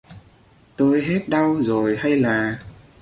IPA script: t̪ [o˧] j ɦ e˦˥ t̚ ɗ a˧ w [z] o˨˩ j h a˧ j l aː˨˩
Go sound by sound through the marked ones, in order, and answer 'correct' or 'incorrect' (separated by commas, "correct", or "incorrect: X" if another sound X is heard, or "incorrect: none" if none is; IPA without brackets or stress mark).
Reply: correct, correct